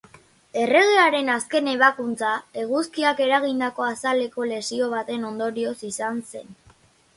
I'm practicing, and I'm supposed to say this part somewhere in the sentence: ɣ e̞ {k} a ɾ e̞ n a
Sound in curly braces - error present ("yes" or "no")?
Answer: yes